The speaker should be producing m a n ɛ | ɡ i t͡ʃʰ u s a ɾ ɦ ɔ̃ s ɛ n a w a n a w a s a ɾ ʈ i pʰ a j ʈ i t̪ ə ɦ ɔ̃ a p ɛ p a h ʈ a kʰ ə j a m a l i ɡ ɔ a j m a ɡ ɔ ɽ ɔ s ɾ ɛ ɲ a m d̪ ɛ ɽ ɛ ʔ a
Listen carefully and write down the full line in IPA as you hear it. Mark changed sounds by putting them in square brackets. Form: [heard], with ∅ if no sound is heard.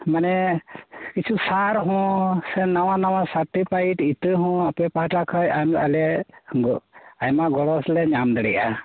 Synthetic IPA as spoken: m a n ɛ | [k] i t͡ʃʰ u s a ɾ ɦ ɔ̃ s ɛ n a w a n a w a s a ɾ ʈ i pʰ a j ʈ i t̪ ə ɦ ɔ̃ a p ɛ p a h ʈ a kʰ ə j a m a l [ɛ] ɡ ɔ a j m a ɡ ɔ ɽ ɔ s [l] ɛ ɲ a m d̪ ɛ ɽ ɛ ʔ a